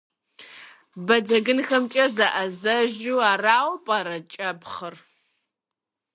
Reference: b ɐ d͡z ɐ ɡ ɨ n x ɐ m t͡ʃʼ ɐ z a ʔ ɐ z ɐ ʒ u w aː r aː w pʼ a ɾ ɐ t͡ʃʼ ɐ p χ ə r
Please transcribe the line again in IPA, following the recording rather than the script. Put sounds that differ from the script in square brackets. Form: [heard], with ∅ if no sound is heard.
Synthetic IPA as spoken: b ɐ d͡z ɐ ɡ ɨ n x ɐ m t͡ʃʼ ɐ z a ʔ ɐ z ɐ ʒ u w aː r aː w pʼ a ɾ ɐ t͡ʃʼ ɐ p χ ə r